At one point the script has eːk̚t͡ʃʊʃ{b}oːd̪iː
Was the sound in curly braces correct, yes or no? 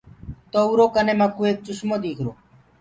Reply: no